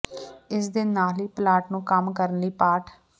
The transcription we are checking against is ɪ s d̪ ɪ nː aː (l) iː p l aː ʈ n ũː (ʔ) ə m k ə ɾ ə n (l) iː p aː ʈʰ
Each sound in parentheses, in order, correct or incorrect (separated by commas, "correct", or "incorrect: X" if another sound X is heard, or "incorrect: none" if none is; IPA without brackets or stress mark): correct, incorrect: k, correct